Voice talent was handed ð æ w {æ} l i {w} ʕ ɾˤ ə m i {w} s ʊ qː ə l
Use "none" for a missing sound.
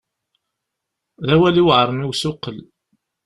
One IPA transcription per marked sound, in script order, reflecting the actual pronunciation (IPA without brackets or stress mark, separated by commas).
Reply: æ, w, w